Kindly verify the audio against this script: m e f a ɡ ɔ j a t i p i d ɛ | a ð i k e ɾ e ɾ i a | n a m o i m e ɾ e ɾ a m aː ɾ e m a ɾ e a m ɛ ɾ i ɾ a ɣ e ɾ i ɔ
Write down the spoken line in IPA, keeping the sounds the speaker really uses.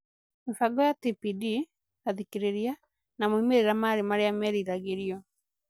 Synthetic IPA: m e f a ɡ ɔ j a t i p i d i | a ð i k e ɾ e ɾ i a | n a m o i m e ɾ e ɾ a m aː ɾ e m a ɾ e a m ɛ ɾ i ɾ a ɣ e ɾ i ɔ